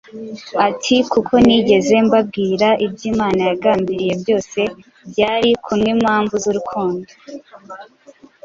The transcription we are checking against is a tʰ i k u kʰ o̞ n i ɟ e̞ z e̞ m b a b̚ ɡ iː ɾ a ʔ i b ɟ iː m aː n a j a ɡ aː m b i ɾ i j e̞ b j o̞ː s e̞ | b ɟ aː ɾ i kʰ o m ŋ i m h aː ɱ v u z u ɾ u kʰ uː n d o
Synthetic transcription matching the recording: a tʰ i k u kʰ o̞ n i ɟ e̞ z e̞ m b a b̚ ɡ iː ɾ a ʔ i b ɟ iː m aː n a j a ɡ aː m b i ɾ i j e̞ b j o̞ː s e̞ | b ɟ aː ɾ i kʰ u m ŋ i m h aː ɱ v u z u ɾ u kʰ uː n d o